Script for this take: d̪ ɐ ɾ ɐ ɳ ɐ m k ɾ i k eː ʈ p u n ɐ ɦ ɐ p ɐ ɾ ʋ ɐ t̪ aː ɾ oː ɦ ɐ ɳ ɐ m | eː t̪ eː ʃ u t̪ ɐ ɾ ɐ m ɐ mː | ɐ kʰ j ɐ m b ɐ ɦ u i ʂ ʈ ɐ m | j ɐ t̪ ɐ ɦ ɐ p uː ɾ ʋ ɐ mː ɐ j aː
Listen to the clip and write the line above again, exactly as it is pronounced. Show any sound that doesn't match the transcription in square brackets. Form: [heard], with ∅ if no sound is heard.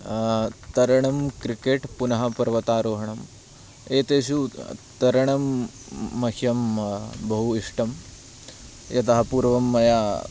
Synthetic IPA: [t̪] ɐ ɾ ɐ ɳ ɐ m k ɾ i k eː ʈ p u n ɐ ɦ ɐ p ɐ ɾ ʋ ɐ t̪ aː ɾ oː ɦ ɐ ɳ ɐ m | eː t̪ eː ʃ u t̪ ɐ ɾ ɐ [ɳ] ɐ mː | ɐ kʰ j ɐ m b ɐ ɦ u i ʂ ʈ ɐ m | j ɐ t̪ ɐ ɦ ɐ p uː ɾ ʋ ɐ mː ɐ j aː